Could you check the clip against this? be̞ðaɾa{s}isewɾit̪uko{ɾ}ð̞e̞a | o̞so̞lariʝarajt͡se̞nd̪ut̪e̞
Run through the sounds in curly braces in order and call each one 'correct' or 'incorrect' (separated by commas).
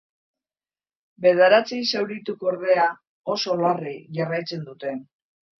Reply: incorrect, correct